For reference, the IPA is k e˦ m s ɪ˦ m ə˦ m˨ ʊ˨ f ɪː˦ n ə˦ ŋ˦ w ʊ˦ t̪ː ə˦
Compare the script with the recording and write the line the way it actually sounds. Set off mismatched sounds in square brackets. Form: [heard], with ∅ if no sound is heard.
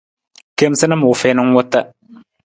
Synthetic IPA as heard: k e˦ m s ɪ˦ [n] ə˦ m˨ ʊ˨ f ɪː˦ n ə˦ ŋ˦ w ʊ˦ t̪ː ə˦